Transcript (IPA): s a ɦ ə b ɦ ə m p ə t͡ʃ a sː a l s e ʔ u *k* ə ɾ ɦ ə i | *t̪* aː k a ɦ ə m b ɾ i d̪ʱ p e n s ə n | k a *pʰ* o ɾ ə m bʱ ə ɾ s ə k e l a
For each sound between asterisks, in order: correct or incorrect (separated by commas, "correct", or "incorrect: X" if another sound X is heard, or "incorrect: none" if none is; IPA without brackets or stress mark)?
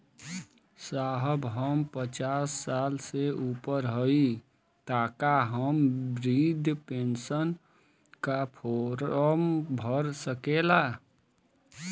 incorrect: p, correct, correct